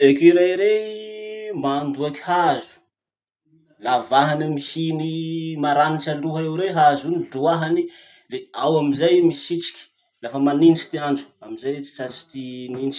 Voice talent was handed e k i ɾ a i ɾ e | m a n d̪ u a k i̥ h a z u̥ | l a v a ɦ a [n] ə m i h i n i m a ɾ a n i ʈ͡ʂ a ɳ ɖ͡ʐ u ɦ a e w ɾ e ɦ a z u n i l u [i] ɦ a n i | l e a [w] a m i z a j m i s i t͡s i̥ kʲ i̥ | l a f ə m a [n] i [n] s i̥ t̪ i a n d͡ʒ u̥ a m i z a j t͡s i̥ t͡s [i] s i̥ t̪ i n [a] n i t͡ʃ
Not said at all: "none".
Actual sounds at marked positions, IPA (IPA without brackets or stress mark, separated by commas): n, a, w, n, n, a, i